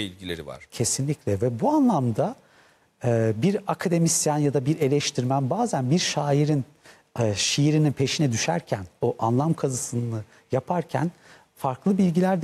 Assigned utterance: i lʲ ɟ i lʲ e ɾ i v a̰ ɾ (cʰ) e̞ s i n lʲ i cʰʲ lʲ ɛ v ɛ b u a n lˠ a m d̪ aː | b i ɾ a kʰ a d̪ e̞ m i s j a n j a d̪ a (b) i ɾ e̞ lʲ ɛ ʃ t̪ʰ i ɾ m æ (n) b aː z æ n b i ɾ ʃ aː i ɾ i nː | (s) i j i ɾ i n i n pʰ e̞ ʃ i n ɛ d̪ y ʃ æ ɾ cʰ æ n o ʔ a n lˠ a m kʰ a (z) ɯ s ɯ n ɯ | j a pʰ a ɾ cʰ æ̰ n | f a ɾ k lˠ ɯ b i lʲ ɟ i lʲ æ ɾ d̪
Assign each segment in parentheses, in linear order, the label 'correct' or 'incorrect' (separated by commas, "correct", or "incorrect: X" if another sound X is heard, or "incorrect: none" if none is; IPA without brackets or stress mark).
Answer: correct, correct, correct, incorrect: ʃ, correct